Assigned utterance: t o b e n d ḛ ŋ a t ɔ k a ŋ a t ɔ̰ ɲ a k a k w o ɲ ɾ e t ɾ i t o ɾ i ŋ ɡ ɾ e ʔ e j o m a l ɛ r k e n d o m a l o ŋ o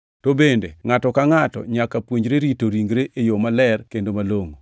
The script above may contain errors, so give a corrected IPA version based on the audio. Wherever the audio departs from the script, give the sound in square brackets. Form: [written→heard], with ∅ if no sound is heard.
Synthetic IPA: t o b e n d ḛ ŋ a t ɔ k a ŋ a t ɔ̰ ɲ a k a [k→p] w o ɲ ɾ e [t→∅] ɾ i t o ɾ i ŋ ɡ ɾ e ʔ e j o m a l ɛ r k e n d o m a l o ŋ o